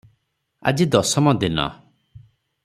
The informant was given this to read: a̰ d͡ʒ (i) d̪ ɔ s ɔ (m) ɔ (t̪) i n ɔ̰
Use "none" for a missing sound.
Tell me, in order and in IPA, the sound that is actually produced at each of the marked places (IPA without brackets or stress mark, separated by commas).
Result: i, m, d̪